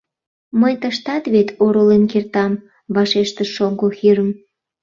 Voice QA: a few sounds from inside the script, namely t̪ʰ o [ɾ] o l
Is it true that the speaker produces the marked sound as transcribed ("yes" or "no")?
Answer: yes